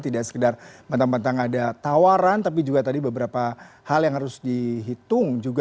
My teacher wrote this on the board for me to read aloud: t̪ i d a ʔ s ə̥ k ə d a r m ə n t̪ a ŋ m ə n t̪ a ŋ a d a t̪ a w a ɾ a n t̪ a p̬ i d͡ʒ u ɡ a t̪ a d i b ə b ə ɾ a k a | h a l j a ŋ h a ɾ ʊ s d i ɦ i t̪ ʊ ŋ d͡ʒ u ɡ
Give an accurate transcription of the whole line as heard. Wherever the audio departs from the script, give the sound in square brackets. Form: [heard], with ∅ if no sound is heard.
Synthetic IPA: t̪ i d a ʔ s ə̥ k ə d a r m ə n t̪ a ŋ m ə n t̪ a ŋ a d a t̪ a w a ɾ a n t̪ a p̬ i d͡ʒ u ɡ a t̪ a d i b ə b ə ɾ a [p] a | h a l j a ŋ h a ɾ ʊ s d i ɦ i t̪ ʊ ŋ d͡ʒ u ɡ